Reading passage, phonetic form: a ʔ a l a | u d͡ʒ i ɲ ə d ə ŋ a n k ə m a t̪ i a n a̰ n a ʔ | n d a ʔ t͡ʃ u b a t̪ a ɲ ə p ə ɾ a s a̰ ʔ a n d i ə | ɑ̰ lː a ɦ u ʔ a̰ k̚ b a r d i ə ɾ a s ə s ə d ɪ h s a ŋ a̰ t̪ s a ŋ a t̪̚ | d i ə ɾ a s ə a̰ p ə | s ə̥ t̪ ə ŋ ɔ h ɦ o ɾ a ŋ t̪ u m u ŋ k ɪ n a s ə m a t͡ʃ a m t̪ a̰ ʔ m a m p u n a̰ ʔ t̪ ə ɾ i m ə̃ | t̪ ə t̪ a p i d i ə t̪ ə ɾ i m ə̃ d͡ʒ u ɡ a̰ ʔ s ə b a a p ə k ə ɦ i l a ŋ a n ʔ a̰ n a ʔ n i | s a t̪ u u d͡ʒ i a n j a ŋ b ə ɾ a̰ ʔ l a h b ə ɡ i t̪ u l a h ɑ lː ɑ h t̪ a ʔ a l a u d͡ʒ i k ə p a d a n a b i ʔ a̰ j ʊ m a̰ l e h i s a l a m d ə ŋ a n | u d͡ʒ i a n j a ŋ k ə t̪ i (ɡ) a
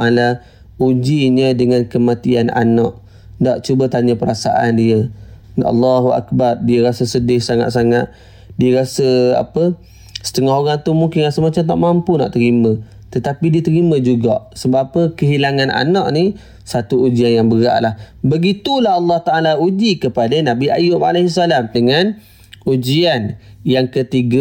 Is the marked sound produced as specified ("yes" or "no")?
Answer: yes